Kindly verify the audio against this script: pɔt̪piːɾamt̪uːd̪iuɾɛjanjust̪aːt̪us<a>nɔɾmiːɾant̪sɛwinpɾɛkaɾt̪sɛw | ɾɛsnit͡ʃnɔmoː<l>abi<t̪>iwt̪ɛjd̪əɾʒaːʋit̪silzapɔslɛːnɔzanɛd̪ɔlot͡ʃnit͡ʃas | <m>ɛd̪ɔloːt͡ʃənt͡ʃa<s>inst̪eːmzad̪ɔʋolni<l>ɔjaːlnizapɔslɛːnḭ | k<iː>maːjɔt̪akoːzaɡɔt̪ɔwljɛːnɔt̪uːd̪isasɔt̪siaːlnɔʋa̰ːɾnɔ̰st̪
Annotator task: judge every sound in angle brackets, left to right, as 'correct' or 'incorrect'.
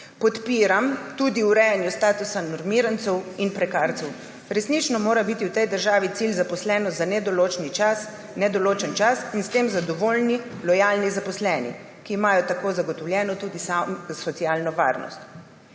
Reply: correct, incorrect, correct, incorrect, correct, correct, correct

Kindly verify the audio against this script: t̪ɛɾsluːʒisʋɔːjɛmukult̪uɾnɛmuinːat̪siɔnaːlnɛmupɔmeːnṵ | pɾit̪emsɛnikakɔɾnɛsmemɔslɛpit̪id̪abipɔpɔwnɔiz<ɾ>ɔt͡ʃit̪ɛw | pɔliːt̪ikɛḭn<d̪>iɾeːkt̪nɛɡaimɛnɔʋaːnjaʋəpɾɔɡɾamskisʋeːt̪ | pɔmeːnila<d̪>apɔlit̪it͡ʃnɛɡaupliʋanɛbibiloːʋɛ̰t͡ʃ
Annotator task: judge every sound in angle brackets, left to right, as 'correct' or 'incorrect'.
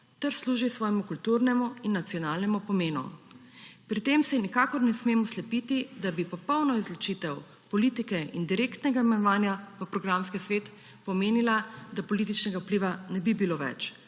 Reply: incorrect, correct, correct

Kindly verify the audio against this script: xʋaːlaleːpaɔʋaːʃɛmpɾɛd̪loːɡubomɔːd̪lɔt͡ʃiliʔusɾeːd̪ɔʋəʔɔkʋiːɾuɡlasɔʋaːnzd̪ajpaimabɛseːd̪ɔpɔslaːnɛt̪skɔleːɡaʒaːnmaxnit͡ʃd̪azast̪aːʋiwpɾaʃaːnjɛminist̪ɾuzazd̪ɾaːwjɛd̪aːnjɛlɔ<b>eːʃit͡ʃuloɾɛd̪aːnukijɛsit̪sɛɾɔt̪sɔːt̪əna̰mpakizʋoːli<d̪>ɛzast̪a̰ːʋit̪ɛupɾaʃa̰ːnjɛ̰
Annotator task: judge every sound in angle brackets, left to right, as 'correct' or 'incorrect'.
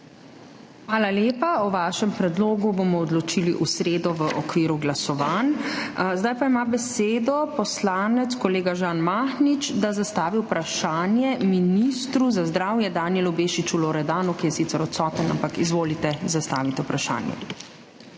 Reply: correct, incorrect

